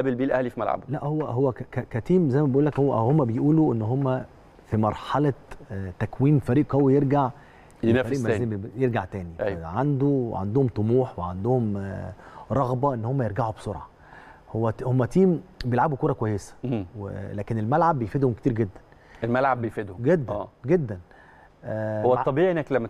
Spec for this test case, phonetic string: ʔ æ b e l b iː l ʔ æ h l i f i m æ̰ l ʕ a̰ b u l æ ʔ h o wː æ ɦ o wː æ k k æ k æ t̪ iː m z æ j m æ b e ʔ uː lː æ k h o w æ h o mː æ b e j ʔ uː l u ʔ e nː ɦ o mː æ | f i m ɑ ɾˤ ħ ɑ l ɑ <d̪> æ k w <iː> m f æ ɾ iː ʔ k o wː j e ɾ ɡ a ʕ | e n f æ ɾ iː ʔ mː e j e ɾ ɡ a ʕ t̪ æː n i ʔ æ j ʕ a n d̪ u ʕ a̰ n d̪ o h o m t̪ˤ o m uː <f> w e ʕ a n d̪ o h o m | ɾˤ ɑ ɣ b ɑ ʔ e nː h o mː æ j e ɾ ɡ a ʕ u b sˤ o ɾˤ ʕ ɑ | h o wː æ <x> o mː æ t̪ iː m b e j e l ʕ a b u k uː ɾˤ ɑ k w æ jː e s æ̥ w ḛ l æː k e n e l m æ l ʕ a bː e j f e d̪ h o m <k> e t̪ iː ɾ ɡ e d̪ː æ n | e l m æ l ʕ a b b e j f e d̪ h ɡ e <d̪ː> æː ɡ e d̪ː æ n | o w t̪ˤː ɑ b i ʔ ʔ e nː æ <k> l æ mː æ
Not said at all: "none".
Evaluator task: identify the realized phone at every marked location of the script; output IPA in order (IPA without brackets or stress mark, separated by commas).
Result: t̪, iː, ħ, h, k, d̪ː, k